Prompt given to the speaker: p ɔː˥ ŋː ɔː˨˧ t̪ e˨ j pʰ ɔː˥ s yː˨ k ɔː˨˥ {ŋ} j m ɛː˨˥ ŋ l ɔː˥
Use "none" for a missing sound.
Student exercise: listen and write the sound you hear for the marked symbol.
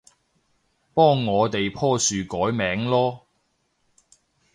none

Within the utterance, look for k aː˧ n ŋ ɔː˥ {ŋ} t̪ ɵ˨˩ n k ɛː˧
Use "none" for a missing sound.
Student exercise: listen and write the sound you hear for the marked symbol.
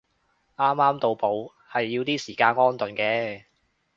n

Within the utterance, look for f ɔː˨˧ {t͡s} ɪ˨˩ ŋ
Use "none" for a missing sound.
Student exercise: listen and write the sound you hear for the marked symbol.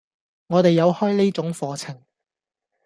t͡sʰ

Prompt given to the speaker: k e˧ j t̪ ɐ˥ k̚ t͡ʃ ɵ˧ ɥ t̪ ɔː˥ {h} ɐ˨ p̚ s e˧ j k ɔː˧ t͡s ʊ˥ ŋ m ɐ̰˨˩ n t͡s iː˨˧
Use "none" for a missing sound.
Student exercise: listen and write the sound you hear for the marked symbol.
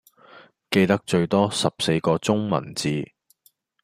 s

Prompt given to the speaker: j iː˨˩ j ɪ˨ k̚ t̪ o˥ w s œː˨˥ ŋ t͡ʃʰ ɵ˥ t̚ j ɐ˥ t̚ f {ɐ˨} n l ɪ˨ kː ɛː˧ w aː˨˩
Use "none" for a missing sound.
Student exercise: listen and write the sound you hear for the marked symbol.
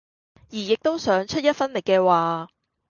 ɐ˥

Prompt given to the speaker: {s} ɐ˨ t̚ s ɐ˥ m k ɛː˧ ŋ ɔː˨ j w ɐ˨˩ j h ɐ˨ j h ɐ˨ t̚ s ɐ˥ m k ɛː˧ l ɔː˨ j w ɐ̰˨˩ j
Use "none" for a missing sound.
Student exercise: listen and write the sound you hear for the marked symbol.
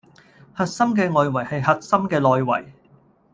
h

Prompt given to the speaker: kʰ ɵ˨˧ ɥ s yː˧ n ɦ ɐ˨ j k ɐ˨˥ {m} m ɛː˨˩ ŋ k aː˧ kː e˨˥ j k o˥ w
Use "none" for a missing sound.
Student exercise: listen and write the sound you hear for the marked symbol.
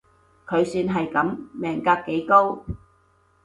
m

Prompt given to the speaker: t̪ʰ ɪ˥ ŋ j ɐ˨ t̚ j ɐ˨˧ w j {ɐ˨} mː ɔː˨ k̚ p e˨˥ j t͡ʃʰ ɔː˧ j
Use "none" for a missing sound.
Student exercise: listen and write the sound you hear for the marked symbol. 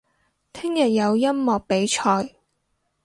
ɐ˥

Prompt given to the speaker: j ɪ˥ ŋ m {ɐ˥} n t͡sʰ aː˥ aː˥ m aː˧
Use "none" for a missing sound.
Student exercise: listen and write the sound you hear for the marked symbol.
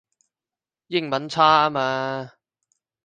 ɐ˨˥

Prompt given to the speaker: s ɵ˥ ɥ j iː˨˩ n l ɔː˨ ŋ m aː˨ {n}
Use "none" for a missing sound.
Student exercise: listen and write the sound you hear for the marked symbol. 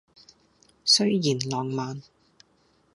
n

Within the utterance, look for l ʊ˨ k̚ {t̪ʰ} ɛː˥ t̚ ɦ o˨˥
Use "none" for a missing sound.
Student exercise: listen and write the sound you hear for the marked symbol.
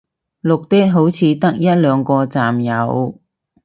t̪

